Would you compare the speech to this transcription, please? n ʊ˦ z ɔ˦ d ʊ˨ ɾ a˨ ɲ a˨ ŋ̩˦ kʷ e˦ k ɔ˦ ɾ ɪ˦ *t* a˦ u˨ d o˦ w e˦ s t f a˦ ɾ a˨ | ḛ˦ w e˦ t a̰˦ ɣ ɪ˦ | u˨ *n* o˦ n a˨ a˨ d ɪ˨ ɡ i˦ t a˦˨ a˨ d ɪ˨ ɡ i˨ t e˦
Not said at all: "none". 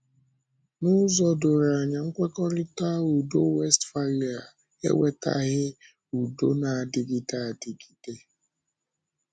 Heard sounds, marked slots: t, d

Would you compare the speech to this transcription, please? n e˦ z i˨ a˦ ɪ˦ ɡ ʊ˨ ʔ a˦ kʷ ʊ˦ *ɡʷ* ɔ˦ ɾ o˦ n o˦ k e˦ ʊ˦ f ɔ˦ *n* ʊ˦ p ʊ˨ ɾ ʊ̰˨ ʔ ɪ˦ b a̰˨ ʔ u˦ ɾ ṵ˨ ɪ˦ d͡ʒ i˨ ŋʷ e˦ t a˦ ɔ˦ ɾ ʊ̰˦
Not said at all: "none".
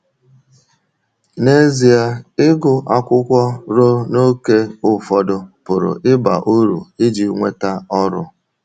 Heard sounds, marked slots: kʷ, d

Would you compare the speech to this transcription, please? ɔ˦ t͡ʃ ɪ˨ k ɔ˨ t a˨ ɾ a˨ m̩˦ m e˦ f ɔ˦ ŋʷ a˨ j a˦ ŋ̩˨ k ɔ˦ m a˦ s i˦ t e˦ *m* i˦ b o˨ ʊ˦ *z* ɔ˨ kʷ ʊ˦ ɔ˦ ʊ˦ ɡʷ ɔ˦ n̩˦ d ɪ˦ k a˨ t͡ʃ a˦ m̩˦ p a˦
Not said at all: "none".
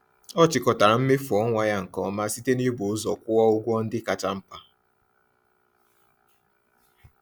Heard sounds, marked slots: n, z

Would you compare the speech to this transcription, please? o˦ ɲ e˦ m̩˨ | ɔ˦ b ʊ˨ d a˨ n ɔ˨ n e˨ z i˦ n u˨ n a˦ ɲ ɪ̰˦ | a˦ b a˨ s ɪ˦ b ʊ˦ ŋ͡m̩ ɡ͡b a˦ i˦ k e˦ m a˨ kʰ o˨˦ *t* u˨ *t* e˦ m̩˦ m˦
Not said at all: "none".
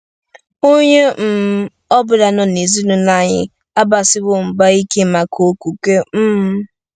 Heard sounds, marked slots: k, k

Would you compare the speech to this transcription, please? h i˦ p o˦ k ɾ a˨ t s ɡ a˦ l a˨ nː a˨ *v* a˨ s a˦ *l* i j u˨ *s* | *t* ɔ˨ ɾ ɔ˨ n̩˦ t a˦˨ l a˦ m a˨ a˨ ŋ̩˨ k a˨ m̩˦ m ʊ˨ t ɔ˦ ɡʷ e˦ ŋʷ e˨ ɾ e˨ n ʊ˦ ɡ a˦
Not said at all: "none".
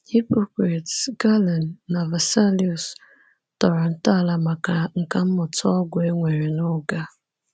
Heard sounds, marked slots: v, l, s, t

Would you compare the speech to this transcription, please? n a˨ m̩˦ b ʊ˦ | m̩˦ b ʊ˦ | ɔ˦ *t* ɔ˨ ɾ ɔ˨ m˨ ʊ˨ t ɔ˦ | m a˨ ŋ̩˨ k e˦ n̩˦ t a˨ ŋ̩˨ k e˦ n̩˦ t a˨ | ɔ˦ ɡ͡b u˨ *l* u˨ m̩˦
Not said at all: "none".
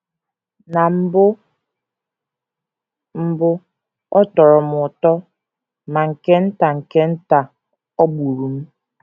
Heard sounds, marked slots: t, ɾ

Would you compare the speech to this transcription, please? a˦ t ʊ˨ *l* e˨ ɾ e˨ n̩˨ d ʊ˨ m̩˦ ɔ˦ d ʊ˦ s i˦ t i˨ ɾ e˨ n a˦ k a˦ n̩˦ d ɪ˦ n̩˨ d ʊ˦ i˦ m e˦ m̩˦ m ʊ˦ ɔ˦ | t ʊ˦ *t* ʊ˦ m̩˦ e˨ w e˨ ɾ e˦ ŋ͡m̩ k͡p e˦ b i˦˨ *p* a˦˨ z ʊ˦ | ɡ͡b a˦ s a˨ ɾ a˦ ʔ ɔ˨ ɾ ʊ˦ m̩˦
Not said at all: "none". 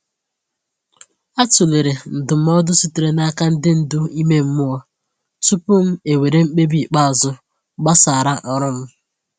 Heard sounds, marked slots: l, p, k͡p

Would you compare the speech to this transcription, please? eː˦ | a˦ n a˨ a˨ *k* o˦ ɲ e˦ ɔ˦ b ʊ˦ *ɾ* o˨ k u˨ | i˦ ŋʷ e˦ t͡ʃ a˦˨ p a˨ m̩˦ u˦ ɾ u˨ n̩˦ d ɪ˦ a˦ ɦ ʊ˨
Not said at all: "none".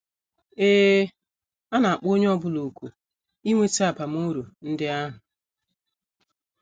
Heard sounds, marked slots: k͡p, l

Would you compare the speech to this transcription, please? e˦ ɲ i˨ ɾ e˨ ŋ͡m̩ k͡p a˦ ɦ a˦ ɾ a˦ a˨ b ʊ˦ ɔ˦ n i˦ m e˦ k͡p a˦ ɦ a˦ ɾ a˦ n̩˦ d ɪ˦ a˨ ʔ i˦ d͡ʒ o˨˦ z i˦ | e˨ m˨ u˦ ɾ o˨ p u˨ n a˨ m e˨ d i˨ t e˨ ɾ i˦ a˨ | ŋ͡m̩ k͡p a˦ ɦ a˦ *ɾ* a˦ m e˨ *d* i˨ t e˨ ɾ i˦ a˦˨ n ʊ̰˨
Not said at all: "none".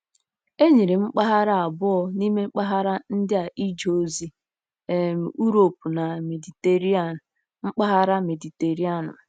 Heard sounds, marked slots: ɾ, d

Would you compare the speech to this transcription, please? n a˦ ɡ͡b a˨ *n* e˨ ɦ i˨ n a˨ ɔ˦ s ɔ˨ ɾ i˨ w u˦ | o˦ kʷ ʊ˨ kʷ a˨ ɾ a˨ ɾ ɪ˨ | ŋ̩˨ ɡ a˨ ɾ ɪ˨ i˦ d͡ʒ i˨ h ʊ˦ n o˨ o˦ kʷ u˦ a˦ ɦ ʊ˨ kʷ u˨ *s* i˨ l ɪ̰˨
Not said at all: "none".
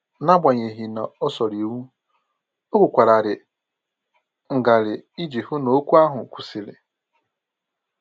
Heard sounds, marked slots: ɲ, s

